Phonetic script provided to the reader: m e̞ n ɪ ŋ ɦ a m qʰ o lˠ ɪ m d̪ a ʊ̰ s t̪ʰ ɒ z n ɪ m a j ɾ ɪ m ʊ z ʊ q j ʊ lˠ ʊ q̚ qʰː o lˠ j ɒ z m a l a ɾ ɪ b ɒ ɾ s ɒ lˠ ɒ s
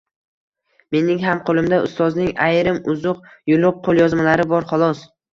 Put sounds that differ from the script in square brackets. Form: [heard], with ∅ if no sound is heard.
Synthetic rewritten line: m e̞ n ɪ ŋ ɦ a m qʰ o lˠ ɪ m d̪ a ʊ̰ s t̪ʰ ɒ z n ɪ [ŋ] a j ɾ ɪ m ʊ z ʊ q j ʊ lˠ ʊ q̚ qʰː o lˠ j ɒ z m a l a ɾ ɪ b ɒ ɾ [χ] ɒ lˠ ɒ s